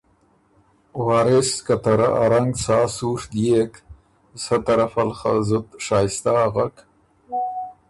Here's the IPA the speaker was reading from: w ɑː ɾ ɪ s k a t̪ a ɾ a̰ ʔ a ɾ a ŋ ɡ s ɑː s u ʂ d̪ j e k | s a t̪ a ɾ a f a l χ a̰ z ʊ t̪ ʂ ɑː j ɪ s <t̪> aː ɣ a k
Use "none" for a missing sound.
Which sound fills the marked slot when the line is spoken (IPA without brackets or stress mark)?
t̪